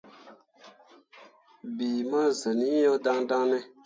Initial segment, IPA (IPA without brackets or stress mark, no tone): b